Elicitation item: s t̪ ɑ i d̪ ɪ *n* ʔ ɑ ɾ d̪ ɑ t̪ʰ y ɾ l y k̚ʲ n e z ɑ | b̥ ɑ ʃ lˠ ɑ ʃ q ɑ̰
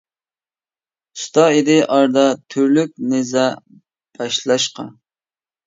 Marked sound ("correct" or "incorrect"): incorrect